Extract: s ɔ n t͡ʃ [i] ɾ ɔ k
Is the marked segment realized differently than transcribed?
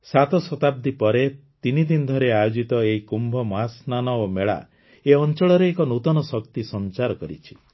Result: yes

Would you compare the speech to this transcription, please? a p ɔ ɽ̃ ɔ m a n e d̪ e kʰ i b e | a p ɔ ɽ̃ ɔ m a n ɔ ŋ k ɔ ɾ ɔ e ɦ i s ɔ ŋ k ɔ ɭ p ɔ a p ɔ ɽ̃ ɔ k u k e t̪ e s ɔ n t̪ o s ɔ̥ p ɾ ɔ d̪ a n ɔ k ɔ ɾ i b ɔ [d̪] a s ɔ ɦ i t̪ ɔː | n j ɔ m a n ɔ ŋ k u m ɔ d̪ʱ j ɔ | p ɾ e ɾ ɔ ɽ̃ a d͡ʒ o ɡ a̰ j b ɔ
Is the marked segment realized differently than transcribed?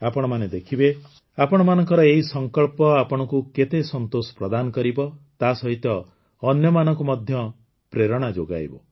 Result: yes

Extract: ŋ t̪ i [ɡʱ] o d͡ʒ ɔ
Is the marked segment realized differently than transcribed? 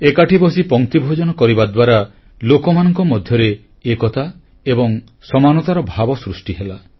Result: yes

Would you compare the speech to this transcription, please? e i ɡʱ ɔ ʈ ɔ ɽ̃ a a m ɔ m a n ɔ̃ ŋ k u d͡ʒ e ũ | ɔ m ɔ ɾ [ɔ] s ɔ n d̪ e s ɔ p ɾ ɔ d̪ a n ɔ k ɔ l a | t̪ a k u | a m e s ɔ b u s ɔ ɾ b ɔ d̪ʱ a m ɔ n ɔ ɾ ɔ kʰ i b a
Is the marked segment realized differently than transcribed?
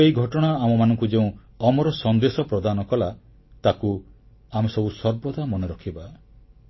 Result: no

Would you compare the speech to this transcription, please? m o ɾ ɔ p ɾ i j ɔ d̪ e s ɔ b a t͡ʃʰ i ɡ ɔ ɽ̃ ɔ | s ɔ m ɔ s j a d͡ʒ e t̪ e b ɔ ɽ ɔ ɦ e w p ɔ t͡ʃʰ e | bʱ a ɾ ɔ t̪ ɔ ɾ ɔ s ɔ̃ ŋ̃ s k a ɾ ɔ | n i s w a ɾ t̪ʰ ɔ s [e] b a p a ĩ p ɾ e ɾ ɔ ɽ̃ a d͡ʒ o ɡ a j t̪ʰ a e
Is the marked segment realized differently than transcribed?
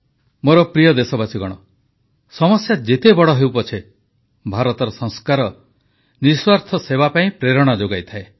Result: no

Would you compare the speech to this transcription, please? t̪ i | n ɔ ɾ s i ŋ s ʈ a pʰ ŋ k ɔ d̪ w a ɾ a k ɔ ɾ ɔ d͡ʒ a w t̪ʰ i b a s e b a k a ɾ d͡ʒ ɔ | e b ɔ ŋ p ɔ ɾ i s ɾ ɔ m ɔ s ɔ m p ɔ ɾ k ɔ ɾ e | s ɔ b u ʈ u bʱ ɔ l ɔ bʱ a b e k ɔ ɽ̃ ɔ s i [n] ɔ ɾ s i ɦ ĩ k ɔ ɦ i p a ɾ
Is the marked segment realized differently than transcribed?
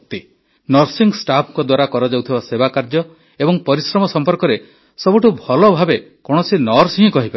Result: no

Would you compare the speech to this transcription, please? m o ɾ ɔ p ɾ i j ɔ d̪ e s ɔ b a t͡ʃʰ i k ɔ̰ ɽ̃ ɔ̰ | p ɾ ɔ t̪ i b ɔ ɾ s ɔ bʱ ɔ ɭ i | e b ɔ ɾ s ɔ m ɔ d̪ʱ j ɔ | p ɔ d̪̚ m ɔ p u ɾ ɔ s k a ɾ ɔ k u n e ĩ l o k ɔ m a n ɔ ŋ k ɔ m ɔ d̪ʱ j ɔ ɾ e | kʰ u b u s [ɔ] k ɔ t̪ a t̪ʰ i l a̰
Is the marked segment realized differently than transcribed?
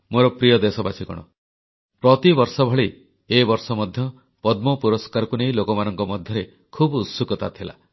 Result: yes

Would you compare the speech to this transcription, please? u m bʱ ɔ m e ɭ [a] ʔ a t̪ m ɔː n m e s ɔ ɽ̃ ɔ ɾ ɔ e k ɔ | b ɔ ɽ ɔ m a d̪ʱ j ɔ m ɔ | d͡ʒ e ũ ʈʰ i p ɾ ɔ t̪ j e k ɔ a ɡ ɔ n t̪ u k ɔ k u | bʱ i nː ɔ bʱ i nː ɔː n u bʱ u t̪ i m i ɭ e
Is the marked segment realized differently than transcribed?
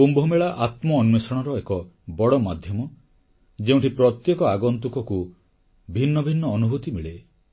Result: no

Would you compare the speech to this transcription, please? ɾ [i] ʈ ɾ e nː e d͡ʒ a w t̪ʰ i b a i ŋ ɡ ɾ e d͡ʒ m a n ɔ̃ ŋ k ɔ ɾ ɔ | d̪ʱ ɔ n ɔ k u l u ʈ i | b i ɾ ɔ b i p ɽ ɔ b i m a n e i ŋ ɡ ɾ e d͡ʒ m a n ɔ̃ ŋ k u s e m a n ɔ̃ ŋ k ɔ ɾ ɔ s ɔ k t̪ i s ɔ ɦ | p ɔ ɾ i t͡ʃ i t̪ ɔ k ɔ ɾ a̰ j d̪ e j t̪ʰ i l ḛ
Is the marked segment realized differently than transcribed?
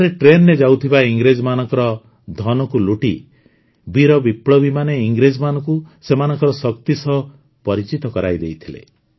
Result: yes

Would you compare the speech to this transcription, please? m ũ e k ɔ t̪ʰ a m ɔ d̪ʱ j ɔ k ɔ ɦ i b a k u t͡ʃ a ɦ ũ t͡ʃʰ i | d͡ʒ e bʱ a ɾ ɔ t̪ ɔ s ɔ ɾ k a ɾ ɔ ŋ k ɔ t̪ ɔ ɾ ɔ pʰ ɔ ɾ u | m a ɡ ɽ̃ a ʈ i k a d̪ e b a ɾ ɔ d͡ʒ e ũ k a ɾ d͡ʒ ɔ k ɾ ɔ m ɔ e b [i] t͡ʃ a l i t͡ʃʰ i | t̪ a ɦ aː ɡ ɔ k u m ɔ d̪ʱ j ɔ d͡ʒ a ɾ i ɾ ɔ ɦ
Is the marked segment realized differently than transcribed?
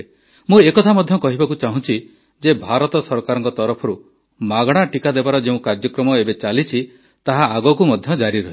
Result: yes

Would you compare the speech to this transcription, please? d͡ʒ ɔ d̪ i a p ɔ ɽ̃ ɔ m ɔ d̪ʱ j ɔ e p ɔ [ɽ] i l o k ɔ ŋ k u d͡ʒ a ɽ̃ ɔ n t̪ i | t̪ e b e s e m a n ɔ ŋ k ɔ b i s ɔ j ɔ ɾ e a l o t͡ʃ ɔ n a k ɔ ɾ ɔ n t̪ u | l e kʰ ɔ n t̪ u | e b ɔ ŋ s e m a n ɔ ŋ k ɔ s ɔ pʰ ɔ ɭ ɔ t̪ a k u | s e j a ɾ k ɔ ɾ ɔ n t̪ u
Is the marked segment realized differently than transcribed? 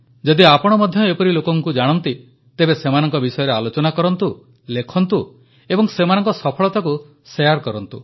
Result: yes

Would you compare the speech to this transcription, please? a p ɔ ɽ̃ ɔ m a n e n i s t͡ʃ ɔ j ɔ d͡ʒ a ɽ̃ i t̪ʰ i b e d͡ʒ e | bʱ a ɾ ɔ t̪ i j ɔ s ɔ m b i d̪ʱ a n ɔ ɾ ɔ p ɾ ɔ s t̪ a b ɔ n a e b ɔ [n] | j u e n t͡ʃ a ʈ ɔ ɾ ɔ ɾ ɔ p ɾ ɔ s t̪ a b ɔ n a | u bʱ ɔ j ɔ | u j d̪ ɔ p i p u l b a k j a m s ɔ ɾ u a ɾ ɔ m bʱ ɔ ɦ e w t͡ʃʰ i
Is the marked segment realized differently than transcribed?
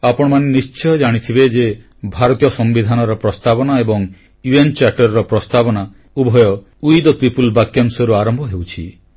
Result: yes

